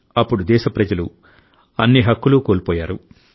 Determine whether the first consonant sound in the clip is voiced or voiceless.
voiceless